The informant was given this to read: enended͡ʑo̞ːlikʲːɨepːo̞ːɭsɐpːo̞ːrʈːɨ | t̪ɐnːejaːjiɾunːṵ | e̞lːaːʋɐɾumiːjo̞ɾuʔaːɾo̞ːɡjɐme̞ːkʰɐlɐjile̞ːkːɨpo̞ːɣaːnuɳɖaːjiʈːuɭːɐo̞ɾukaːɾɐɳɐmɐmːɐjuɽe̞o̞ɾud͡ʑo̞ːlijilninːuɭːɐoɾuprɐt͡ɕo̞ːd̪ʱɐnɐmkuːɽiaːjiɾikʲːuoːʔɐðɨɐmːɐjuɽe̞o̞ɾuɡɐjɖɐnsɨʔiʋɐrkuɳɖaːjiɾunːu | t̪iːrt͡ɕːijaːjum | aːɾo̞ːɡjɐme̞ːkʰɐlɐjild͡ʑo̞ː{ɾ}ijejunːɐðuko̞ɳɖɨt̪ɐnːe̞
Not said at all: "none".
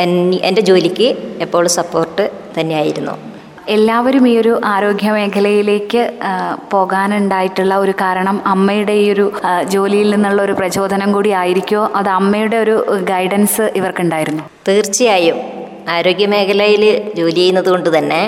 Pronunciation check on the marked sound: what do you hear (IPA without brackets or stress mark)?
l